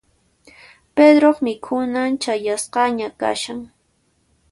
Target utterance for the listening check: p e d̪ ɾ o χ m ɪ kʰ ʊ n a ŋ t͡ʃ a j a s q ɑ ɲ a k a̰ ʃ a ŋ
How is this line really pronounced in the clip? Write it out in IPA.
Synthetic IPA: p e d̪ ɾ o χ m ɪ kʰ ʊ n a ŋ t͡ʃ a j a s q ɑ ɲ a k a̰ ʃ a ŋ

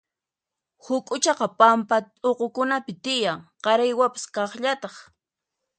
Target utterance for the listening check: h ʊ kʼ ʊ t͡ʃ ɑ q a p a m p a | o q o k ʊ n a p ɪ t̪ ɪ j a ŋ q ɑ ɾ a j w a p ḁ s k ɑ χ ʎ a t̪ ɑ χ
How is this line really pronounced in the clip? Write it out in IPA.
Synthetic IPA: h ʊ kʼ ʊ t͡ʃ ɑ q ɑ p a m p a | o q o k ʊ n a p ɪ t̪ ɪ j a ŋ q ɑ ɾ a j w a p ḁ s k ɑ χ ʎ a t̪ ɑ χ

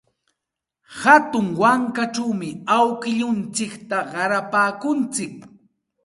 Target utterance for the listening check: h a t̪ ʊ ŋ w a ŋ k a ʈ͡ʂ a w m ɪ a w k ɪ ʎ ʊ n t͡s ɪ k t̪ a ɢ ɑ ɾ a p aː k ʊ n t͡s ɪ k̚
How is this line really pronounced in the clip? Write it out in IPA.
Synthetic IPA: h a t̪ ʊ ŋ w a ŋ k a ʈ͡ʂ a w m ɪ a w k ɪ ʎ ʊ n t͡s ɪ k t̪ a ɢ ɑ ɾ a p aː k ʊ n t͡s ɪ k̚

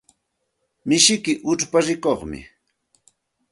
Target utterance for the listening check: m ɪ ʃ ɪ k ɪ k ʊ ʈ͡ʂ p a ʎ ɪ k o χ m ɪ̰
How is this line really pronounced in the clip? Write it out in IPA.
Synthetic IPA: m ɪ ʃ ɪ k ɪ ʔ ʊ ʈ͡ʂ p a ɾ ɪ k o χ m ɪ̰

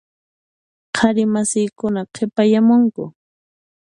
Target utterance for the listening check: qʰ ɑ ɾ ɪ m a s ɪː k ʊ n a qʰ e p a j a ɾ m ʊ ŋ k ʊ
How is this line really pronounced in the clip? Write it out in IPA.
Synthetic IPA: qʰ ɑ ɾ ɪ m a s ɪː k ʊ n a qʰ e p a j a m ʊ ŋ k ʊ

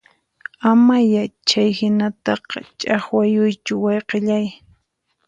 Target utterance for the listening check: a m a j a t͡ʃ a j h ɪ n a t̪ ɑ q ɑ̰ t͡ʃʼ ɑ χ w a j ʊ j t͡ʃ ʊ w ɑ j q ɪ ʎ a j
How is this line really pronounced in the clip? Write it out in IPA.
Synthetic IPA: a m a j a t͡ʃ a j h ɪ n a t̪ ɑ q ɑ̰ t͡ʃʼ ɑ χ w a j ʊ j t͡ʃ ʊ w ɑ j q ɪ ʎ a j

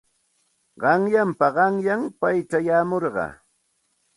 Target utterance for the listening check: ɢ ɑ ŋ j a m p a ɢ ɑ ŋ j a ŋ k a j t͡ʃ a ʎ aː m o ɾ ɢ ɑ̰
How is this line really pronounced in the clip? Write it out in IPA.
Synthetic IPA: ɢ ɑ ŋ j a m p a ɢ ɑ ŋ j a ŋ p a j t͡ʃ a j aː m o ɾ ɢ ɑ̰

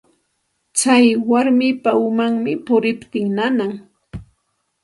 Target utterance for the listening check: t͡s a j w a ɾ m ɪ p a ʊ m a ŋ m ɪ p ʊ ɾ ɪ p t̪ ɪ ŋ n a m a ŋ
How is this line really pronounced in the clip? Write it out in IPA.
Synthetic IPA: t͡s a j w a ɾ m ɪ p a ʊ m a ŋ m ɪ p ʊ ɾ ɪ p t̪ ɪ ŋ n a n a ŋ

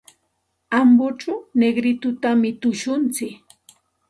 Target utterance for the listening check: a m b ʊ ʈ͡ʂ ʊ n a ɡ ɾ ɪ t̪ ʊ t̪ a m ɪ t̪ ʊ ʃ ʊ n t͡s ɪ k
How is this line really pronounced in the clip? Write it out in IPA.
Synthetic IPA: a m b ʊ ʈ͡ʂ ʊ n e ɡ ɾ ɪ t̪ ʊ t̪ a m ɪ t̪ ʊ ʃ ʊ n t͡s ɪ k

